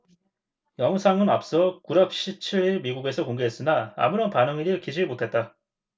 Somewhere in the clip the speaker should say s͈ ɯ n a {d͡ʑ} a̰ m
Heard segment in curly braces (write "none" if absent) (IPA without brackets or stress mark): none